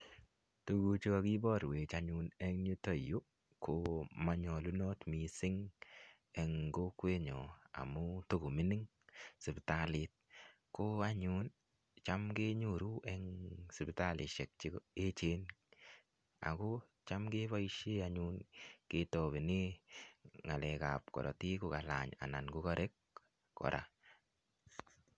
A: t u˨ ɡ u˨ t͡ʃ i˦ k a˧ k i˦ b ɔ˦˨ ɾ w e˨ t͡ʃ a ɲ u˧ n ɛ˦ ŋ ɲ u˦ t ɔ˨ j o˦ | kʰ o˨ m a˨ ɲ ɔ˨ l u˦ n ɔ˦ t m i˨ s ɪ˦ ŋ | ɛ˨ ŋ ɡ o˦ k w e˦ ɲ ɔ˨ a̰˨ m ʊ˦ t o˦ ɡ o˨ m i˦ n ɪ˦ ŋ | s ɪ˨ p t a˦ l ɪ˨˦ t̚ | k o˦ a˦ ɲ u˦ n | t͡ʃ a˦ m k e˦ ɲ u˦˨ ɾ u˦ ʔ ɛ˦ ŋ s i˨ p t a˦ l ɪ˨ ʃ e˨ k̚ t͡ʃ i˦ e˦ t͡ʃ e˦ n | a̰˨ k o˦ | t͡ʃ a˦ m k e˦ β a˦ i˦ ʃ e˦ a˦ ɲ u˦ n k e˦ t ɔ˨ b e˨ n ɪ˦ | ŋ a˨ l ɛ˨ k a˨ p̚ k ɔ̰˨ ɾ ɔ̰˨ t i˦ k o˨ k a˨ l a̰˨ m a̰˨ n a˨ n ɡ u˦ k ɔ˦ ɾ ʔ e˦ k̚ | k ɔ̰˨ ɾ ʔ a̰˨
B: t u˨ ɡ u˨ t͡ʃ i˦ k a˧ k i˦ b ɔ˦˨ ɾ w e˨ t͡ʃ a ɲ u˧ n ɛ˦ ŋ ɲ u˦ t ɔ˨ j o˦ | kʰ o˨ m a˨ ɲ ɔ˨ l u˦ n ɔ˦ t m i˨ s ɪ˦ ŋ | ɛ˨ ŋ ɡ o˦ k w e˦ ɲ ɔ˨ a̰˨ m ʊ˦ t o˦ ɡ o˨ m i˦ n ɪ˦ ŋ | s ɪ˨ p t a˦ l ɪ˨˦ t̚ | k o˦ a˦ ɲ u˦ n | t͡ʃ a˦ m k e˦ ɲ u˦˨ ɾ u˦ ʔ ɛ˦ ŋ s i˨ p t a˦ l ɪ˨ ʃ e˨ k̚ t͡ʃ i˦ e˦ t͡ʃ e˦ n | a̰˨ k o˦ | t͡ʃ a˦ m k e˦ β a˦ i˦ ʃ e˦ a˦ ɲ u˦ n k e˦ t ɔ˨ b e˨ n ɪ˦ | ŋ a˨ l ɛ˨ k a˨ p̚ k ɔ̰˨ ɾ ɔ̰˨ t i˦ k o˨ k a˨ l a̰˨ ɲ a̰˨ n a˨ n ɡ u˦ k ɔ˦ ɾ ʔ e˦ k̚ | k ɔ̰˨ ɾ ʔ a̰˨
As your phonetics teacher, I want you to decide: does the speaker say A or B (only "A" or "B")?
B